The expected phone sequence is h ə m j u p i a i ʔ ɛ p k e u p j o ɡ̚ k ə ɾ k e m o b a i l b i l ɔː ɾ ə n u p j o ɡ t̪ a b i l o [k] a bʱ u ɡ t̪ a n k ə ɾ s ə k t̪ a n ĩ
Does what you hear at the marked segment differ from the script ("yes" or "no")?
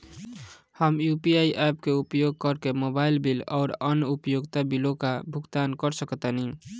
no